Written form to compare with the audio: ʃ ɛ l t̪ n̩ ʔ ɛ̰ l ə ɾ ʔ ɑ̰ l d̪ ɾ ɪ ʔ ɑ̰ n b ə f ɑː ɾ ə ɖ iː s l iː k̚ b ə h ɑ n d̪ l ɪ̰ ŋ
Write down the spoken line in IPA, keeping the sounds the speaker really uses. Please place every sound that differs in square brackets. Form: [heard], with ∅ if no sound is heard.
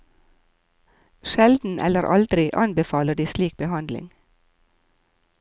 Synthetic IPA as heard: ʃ ɛ l [d̪] n̩ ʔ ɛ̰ l ə ɾ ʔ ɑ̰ l d̪ ɾ ɪ ʔ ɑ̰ n b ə f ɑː [l] ə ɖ iː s l iː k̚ b ə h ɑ n d̪ l ɪ̰ ŋ